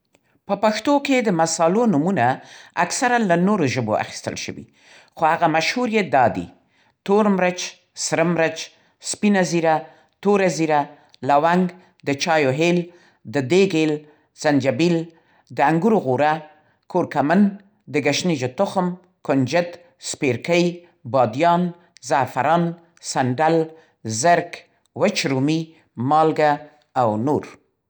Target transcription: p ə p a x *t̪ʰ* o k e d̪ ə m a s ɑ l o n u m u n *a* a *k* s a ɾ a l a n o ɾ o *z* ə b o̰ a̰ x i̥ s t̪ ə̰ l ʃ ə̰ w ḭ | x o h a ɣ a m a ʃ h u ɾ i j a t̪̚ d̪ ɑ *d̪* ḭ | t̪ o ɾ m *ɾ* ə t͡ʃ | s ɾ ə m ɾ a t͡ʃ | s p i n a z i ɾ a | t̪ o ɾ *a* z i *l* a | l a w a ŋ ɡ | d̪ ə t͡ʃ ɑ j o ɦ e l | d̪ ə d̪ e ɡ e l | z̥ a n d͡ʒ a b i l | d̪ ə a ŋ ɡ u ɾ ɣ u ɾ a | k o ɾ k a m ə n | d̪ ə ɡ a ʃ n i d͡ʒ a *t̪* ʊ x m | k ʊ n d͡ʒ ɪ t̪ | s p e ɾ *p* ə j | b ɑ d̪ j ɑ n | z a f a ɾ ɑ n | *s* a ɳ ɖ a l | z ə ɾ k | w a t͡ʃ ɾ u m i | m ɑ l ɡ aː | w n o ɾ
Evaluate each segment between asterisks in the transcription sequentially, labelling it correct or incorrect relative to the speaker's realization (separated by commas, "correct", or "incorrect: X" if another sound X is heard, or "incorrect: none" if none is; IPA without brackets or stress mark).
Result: incorrect: t̪, correct, correct, incorrect: ʒ, correct, correct, correct, incorrect: ɾ, correct, incorrect: k, correct